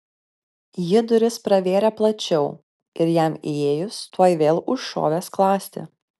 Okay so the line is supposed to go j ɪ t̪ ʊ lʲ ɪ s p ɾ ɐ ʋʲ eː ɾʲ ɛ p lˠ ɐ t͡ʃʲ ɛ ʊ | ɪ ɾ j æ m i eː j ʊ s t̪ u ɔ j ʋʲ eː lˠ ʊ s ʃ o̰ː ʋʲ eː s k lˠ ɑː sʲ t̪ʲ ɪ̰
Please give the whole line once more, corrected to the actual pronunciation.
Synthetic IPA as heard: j ɪ d̪ ʊ ɾʲ ɪ s p ɾ ɐ ʋʲ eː ɾʲ ɛ p lˠ ɐ t͡ʃʲ ɛ ʊ | ɪ ɾ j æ m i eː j ʊ s t̪ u ɔ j ʋʲ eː lˠ ʊ ʃ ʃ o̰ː ʋʲ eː s k lˠ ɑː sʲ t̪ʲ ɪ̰